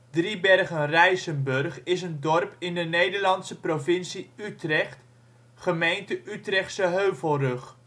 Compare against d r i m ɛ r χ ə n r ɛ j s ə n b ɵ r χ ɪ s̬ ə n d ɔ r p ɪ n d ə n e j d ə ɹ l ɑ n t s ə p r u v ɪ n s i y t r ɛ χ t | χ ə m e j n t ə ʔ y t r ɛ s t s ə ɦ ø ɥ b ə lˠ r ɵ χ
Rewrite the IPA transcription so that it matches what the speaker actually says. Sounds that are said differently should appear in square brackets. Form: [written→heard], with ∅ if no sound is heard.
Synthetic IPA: d r i [m→b] ɛ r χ ə n r ɛ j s ə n b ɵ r χ ɪ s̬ ə n d ɔ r p ɪ n d ə n e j d ə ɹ l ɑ n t s ə p r [u→o] v ɪ n s i y t r ɛ χ t | χ ə m e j n t ə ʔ y t r ɛ [s→χ] t s ə ɦ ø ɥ [b→v] ə lˠ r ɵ χ